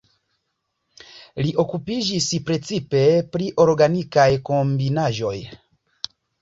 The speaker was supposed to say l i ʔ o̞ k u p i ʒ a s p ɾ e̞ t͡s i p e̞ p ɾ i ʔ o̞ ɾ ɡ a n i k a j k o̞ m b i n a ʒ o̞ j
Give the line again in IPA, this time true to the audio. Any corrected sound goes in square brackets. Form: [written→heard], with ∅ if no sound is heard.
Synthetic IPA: l i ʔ o̞ k u p i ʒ [a→i] s p ɾ e̞ t͡s i p e̞ p ɾ i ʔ o̞ ɾ ɡ a n i k a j k o̞ m b i n a ʒ o̞ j